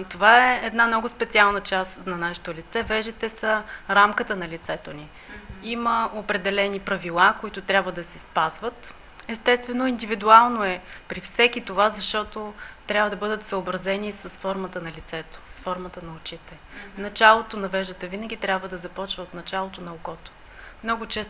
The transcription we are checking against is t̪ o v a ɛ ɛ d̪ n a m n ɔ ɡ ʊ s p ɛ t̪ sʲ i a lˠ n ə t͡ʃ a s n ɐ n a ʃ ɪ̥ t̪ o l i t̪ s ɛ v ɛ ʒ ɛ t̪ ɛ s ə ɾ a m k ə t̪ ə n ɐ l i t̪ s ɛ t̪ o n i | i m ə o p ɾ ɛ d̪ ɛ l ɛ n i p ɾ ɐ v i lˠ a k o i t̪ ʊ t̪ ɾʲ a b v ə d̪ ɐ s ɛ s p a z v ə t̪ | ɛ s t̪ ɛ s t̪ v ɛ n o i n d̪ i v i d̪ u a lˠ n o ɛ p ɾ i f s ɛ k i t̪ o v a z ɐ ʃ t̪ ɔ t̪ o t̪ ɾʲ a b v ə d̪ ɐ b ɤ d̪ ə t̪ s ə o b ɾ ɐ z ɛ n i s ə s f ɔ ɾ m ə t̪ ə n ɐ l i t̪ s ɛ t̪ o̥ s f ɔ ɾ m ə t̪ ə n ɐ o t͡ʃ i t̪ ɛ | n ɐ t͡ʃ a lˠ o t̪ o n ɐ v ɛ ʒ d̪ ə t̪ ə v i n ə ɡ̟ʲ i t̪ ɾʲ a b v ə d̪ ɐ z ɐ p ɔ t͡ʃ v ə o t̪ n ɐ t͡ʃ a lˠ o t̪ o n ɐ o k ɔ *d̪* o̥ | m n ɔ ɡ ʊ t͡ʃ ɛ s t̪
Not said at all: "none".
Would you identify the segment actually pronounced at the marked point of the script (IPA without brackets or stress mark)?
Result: t̪